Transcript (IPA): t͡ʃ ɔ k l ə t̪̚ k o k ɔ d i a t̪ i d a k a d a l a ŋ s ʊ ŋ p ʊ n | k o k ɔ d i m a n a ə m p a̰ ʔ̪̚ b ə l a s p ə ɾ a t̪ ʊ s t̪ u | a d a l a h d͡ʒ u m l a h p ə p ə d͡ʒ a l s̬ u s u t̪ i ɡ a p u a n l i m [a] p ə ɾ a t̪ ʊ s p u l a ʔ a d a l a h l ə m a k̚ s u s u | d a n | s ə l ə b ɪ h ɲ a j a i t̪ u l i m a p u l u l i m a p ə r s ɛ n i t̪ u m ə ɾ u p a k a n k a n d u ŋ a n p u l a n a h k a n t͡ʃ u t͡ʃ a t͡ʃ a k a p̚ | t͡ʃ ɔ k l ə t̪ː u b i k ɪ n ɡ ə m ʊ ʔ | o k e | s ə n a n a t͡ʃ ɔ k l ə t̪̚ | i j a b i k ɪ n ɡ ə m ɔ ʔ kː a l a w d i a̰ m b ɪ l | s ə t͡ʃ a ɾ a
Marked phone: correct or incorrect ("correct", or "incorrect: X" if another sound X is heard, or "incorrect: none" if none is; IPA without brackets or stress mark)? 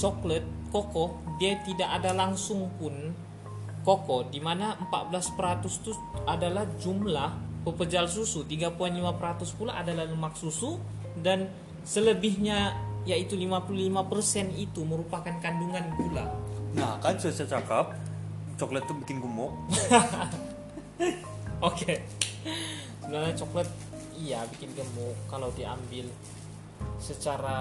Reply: correct